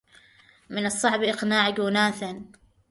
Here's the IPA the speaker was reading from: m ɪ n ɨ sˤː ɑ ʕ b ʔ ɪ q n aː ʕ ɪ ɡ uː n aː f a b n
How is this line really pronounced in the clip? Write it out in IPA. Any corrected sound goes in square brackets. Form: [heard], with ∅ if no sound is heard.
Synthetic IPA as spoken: m ɪ n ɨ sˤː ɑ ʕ b ʔ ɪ q n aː ʕ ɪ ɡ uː n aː [θ] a [∅] n